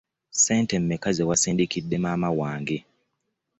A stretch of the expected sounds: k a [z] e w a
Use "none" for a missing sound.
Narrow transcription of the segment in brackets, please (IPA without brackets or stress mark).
z